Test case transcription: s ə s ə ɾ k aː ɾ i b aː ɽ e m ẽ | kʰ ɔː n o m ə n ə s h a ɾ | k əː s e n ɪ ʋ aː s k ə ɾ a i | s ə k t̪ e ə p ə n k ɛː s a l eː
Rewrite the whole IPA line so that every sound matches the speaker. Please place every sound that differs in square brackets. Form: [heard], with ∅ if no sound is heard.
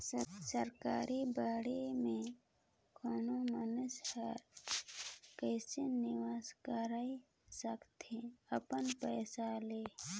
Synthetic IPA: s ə s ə ɾ k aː ɾ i b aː ɽ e m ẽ | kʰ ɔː n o m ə n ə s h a ɾ | k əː s e n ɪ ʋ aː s k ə ɾ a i | s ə k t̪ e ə p ə n [p] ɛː s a l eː